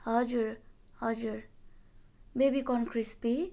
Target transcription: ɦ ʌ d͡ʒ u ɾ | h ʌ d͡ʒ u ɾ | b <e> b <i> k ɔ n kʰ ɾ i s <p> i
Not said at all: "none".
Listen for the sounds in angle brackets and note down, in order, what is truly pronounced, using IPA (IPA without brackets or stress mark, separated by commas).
e, i, p